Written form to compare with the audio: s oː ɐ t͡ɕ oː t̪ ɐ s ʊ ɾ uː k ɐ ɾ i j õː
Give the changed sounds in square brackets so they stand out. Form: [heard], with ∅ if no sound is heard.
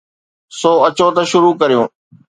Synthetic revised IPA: s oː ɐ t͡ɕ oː t̪ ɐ [ʃ] ʊ ɾ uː k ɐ ɾ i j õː